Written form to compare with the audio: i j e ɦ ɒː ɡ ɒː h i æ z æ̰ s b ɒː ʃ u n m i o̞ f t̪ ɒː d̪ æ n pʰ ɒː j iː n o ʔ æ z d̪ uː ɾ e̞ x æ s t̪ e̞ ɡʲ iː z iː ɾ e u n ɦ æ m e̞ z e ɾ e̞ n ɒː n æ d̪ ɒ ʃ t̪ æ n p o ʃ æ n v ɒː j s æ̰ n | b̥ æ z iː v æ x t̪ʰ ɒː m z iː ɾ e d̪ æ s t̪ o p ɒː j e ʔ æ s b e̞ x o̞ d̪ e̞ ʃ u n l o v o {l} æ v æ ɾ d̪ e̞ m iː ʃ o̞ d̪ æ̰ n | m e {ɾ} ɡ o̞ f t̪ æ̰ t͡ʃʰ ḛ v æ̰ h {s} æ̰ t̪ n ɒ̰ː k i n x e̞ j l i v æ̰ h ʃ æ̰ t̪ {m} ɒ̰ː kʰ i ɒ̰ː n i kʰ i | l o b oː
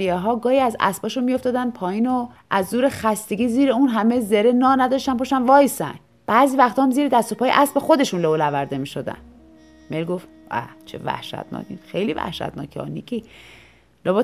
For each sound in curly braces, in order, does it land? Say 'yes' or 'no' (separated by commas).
yes, no, no, no